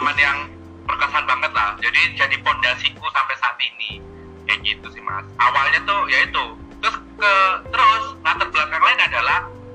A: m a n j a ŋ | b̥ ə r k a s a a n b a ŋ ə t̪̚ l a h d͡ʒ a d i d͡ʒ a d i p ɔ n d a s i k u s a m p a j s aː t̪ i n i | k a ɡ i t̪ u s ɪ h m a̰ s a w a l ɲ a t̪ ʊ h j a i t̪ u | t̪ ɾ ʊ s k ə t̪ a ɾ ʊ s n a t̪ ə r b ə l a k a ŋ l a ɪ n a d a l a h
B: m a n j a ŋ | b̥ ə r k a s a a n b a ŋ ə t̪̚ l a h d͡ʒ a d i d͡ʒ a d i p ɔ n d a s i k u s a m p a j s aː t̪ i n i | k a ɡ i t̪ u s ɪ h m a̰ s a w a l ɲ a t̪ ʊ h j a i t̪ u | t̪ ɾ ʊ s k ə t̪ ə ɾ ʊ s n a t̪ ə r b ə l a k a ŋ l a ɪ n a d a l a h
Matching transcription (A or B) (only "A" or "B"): B